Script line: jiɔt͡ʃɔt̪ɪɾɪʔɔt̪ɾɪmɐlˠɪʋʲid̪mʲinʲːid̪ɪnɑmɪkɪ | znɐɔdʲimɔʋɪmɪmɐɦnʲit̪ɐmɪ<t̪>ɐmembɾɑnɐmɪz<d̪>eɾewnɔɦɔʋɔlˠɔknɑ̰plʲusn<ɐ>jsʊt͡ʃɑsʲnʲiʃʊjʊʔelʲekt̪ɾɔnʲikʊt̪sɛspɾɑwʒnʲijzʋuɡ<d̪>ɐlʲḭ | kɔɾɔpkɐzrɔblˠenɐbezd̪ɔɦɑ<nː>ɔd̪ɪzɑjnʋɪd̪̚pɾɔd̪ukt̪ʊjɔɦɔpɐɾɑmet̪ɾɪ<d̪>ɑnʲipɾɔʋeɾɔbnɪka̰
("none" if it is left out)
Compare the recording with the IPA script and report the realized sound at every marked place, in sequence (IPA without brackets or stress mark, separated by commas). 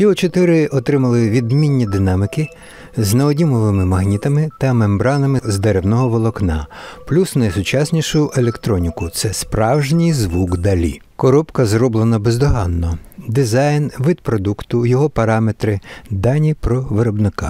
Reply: t̪, d̪, ɐ, d̪, nː, d̪